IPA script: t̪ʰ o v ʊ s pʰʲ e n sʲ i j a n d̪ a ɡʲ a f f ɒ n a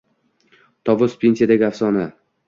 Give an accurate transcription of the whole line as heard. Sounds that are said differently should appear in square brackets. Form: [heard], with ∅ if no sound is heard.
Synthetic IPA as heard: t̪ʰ [ɒ] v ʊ s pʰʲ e n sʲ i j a [∅] d̪ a ɡʲ a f [s] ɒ n a

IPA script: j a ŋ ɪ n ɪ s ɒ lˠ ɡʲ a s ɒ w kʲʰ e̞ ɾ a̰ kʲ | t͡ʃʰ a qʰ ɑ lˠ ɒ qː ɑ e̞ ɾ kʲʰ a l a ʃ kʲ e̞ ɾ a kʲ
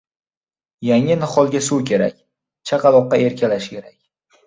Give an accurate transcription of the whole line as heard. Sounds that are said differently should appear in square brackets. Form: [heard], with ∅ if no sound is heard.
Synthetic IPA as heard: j a ŋ ɪ n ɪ [χ] ɒ lˠ ɡʲ a s [u] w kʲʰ e̞ ɾ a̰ kʲ | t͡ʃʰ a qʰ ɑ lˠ ɒ qː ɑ e̞ ɾ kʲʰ a l a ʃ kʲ e̞ ɾ a kʲ

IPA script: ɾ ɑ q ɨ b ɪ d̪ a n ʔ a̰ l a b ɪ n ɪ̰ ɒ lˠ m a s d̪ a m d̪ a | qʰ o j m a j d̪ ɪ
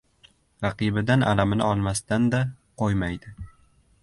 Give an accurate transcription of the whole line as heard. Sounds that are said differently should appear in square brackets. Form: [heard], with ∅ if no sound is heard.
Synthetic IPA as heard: ɾ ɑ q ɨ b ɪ d̪ a n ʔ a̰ l a [m] ɪ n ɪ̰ ɒ lˠ m a s [t̪] a [n] d̪ a | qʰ o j m a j d̪ ɪ

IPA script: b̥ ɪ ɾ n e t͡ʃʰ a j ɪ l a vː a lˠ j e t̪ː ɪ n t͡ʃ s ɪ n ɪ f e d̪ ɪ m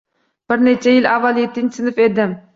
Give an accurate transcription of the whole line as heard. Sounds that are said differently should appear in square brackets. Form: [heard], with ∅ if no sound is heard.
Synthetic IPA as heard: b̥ ɪ ɾ n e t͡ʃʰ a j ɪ l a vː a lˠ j e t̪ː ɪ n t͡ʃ s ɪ n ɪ f e d̪ ɪ m

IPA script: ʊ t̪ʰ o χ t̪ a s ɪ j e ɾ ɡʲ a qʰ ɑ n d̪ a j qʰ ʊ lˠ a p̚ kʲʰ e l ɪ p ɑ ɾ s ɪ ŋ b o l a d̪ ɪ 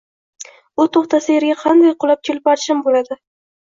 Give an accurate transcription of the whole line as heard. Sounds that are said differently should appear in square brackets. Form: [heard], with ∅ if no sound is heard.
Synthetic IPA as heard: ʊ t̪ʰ o χ t̪ a s ɪ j e ɾ ɡʲ a qʰ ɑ n d̪ a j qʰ ʊ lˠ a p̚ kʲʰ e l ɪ p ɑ ɾ [ʃ] ɪ [m] b o l a d̪ ɪ

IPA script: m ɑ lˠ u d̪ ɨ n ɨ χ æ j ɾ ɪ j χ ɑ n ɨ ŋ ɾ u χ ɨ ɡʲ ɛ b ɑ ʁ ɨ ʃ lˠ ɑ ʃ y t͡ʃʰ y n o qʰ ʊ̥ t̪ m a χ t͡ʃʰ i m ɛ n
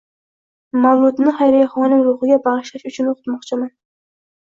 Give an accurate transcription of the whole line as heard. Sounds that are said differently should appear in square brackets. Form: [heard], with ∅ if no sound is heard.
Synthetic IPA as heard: m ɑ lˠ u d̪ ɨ n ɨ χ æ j ɾ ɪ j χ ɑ n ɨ ŋ ɾ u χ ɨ ɡʲ ɛ b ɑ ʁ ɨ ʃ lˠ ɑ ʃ y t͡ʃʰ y n o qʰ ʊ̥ t̪ m [ɑ] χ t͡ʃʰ i m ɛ n

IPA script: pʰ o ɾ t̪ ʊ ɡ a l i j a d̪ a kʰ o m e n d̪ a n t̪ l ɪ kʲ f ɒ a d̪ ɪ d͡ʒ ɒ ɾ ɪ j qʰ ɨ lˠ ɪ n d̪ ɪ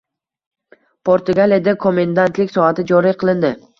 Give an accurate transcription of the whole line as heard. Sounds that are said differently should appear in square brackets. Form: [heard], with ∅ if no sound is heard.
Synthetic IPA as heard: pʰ o ɾ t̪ ʊ ɡ a l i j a d̪ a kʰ o m e n d̪ a n t̪ l ɪ kʲ [s] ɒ a [t̪] ɪ d͡ʒ ɒ ɾ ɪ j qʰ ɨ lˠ ɪ n d̪ ɪ

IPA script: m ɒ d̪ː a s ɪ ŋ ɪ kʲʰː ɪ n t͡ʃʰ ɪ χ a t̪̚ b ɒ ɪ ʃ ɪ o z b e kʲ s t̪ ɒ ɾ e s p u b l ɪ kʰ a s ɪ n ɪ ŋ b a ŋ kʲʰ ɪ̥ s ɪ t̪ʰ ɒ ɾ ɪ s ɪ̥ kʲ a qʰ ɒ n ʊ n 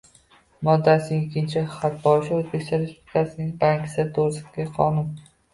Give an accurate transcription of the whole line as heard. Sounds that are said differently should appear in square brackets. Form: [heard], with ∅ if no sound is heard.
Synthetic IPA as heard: m ɒ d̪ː a s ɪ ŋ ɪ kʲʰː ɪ n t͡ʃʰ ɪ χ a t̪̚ b ɒ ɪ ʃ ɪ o z b e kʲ s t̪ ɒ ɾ e s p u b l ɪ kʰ a s ɪ n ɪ ŋ b a ŋ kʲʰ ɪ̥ s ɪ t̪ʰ [o] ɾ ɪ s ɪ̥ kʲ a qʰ ɒ n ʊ n

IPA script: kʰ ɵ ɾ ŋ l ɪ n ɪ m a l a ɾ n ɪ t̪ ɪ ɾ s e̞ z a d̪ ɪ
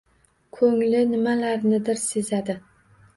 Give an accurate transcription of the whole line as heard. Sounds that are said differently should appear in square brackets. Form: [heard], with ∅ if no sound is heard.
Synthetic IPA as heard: kʰ ɵ [∅] ŋ l ɪ n ɪ m a l a ɾ n ɪ [d̪] ɪ ɾ s e̞ z a d̪ ɪ

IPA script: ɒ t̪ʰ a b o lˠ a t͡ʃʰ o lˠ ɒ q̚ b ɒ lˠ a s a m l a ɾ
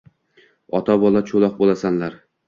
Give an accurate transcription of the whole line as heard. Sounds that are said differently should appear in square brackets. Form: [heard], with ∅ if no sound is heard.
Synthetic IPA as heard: ɒ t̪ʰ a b [ɒ] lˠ a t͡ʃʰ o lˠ ɒ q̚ b [o] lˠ a s a [n] l a ɾ

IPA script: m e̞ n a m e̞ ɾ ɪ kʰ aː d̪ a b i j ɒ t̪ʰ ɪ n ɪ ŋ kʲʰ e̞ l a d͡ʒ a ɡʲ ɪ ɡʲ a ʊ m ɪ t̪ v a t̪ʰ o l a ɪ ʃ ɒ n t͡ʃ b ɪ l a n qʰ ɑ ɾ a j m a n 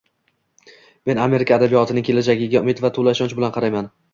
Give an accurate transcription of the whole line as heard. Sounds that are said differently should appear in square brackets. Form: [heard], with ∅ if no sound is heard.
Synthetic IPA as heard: m e̞ n a m e̞ ɾ ɪ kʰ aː d̪ a b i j ɒ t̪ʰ ɪ n ɪ ŋ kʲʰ e̞ l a d͡ʒ a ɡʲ ɪ ɡʲ a ʊ m ɪ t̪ v a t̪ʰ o l a ɪ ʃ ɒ n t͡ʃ b ɪ l a n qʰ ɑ ɾ a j m a n

